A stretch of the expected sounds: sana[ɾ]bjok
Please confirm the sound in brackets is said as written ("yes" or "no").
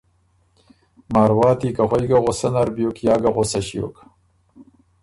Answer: yes